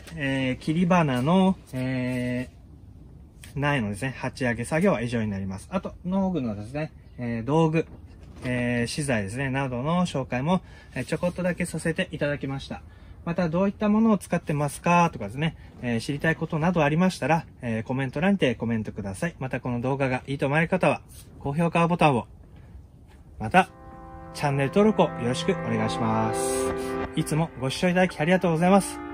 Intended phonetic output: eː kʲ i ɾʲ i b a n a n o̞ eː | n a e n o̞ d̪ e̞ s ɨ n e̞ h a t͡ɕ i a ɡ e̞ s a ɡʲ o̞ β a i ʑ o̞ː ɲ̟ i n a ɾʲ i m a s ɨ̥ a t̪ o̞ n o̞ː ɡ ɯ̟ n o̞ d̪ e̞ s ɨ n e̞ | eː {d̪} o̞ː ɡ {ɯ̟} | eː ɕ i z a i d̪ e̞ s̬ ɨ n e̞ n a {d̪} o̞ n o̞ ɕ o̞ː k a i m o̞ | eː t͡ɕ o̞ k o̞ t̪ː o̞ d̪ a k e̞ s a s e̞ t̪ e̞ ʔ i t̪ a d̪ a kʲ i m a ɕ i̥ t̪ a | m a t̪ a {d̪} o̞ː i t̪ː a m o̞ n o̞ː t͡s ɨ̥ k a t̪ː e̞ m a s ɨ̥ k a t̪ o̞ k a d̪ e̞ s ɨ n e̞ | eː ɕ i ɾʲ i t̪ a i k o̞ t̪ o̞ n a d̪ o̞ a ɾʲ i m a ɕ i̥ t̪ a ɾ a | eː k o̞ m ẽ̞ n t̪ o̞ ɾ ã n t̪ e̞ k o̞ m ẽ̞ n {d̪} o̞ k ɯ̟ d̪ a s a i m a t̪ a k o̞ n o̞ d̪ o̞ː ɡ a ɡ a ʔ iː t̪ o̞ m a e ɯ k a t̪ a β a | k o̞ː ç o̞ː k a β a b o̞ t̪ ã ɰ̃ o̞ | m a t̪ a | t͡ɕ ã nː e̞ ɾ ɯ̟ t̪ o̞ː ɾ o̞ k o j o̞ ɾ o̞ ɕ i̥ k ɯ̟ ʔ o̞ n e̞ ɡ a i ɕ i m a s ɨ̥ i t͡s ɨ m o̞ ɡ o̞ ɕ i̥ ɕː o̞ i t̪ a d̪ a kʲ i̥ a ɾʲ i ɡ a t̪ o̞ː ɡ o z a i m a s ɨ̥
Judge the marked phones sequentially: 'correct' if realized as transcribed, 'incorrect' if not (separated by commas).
correct, correct, correct, correct, incorrect